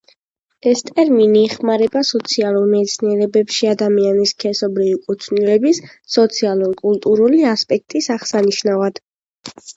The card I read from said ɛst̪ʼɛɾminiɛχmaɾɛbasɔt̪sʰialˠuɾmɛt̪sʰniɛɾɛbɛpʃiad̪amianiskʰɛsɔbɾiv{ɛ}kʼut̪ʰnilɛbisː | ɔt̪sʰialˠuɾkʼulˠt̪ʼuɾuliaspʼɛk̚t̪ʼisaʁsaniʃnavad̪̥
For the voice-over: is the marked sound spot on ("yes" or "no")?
no